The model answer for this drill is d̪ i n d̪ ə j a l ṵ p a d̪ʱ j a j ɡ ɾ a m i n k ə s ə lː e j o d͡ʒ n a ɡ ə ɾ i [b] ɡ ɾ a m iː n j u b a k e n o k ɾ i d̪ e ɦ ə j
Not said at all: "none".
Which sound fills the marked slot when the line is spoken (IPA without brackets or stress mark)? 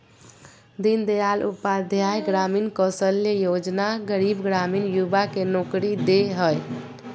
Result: b